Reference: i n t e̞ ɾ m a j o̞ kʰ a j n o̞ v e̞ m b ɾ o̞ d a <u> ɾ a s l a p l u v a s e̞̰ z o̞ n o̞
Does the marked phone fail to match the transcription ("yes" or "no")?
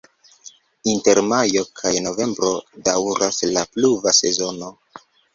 yes